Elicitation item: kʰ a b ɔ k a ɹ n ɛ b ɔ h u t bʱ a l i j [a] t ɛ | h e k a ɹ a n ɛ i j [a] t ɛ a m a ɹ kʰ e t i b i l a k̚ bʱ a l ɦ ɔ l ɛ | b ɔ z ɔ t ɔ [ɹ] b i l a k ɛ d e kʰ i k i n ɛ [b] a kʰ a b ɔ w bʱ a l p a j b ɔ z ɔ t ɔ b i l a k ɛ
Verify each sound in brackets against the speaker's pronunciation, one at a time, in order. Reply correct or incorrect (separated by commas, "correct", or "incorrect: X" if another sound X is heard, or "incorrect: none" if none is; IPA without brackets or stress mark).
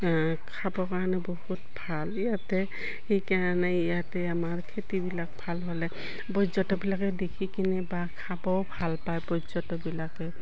correct, correct, incorrect: none, correct